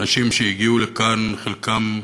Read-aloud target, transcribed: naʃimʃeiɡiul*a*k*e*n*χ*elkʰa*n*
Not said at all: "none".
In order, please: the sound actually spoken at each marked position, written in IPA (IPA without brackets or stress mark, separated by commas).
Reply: e, a, χ, m